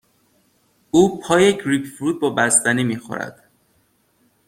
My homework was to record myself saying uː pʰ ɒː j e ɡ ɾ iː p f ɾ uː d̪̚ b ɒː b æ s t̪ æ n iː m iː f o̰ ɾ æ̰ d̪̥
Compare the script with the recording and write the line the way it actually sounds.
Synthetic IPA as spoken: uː pʰ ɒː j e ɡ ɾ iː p f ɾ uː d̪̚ b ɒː b æ s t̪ æ n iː m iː x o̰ ɾ æ̰ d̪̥